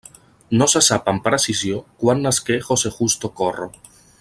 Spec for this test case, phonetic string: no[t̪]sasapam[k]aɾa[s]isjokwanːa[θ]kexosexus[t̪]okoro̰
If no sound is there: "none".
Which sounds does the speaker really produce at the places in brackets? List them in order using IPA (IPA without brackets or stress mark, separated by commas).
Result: none, p, s, s, t̪